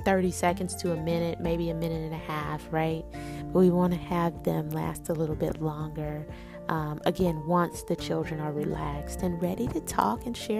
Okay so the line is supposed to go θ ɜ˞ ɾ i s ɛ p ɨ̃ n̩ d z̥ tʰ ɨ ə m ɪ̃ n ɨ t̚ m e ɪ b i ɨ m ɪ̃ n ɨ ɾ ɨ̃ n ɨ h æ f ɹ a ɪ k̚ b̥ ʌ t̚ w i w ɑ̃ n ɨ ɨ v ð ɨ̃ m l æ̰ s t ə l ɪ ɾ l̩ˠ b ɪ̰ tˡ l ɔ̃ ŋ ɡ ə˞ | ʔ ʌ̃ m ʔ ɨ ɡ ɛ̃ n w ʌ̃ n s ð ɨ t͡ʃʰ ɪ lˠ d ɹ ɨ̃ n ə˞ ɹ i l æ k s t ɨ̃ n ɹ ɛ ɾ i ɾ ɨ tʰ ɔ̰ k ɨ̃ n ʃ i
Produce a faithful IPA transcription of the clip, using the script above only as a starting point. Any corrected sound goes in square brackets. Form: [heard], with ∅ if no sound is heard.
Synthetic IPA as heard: θ ɜ˞ ɾ i s ɛ [k] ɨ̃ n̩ d z̥ tʰ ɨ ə m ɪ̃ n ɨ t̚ m e ɪ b i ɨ m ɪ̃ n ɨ ɾ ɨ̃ n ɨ h æ f ɹ a ɪ [t̚] b̥ ʌ t̚ w i w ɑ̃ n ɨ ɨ v ð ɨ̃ m l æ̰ s t ə l ɪ ɾ l̩ˠ b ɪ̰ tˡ l ɔ̃ ŋ ɡ ə˞ | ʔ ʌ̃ m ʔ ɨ ɡ ɛ̃ n w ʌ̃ n s ð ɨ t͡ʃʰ ɪ lˠ d ɹ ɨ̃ n ə˞ ɹ i l æ k s t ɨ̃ n ɹ ɛ ɾ i ɾ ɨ tʰ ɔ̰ k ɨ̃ n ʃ [ɛ]